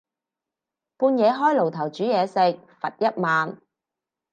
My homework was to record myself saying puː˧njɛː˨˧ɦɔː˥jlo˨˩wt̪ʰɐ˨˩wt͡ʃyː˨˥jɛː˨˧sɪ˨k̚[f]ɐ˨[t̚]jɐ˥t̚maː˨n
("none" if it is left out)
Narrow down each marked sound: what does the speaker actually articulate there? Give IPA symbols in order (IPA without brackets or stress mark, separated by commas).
f, t̚